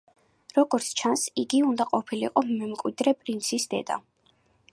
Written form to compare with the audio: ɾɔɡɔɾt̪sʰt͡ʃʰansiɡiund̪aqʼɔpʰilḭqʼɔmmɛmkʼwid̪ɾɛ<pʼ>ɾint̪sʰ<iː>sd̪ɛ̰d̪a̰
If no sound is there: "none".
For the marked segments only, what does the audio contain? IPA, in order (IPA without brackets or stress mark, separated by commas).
pʼ, i